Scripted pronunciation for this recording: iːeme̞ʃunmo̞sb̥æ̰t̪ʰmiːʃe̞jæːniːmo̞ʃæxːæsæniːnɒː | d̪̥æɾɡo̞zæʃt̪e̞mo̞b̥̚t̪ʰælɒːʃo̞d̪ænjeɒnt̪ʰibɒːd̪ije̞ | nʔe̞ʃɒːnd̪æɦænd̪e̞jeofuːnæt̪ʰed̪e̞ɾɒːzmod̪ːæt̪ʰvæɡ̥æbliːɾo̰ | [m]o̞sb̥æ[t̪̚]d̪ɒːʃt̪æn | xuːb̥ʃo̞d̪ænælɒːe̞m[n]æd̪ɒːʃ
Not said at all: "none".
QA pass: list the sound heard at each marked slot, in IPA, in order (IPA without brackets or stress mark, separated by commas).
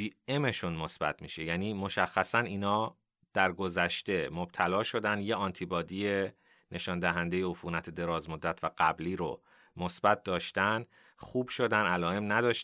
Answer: m, t̪̚, n